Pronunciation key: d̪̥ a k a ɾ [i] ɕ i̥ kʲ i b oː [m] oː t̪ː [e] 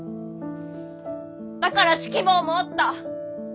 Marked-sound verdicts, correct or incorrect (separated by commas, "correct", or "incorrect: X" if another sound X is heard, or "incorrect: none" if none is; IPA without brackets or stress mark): incorrect: a, correct, incorrect: a